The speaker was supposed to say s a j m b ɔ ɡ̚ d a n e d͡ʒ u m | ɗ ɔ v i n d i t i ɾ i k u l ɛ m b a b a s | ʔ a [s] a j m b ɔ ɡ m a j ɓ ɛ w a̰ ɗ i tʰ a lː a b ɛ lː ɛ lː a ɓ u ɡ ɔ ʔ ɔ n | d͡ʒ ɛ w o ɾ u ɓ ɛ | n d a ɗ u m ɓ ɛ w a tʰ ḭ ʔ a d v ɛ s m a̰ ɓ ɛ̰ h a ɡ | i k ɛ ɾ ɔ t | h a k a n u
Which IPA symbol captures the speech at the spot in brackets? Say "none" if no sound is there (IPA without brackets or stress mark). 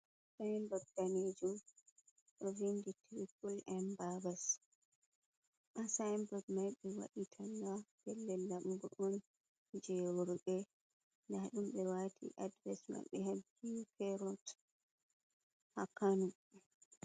s